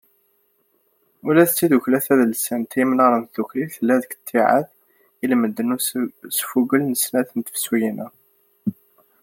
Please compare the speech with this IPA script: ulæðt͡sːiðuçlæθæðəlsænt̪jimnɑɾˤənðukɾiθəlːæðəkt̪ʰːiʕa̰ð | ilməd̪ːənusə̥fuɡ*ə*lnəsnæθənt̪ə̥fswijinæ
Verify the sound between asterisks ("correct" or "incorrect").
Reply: correct